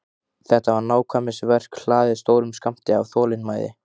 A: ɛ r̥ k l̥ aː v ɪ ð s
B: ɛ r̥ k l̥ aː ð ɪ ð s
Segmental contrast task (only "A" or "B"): B